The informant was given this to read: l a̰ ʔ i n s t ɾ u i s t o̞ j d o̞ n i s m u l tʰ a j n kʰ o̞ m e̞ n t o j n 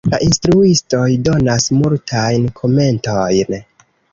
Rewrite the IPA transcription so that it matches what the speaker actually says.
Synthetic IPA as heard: l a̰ ʔ i n s t ɾ u i s t o̞ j d o̞ n a s m u l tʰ a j n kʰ o̞ m e̞ n t o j n